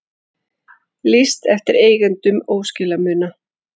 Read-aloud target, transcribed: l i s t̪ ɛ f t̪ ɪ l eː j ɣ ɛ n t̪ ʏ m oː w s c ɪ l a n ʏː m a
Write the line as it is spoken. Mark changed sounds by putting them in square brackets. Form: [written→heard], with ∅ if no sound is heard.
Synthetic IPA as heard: l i s t̪ ɛ f t̪ ɪ [l→ɾ] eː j ɣ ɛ n t̪ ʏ m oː w s c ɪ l a [n→m] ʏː [m→n] a